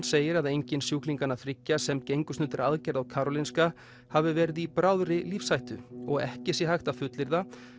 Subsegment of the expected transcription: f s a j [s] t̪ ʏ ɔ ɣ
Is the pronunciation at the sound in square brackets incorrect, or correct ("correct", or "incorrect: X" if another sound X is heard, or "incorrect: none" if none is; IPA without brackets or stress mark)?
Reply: incorrect: h